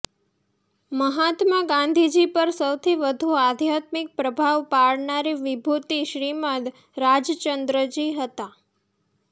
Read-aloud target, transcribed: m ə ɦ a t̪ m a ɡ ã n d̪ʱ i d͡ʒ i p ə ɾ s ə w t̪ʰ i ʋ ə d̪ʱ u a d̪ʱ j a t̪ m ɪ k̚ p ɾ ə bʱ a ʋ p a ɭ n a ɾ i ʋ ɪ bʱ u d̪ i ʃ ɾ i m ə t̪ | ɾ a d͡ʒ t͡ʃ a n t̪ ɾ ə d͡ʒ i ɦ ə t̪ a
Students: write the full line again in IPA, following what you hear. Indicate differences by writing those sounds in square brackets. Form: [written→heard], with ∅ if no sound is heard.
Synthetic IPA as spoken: m ə ɦ a t̪ m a ɡ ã n d̪ʱ i d͡ʒ i p ə ɾ s ə w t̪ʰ i ʋ ə d̪ʱ u a d̪ʱ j a t̪ m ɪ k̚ p ɾ ə bʱ a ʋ p a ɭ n a ɾ i ʋ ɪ bʱ u [d̪→t̪] i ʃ ɾ i m ə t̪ | ɾ a d͡ʒ t͡ʃ [a→ə] n [t̪→d̪] ɾ ə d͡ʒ i ɦ ə t̪ a